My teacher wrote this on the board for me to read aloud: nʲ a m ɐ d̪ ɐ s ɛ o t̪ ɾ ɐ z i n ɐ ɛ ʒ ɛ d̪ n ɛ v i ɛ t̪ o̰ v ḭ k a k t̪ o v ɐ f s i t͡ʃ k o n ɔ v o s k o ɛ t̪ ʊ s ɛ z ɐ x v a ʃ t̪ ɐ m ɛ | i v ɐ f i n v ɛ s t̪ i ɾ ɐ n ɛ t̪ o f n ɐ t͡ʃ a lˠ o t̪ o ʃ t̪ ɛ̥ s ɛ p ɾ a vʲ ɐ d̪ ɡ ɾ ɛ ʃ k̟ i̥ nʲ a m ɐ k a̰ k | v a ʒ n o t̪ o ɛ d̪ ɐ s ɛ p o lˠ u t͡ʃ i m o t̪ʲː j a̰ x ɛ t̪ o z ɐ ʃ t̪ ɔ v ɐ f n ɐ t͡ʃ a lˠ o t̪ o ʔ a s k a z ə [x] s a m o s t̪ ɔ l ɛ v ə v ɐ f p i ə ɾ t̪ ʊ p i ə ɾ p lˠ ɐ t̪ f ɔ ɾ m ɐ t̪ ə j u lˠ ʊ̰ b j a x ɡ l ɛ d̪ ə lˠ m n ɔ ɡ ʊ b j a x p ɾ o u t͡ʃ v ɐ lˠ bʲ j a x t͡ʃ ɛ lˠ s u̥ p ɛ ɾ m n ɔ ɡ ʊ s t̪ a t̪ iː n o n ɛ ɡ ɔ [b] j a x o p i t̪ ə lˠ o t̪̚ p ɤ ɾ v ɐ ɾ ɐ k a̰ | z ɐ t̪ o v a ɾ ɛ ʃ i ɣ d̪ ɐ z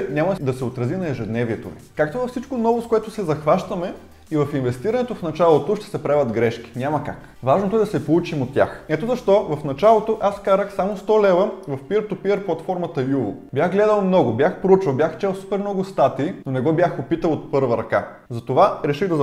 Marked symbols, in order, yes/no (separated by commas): yes, yes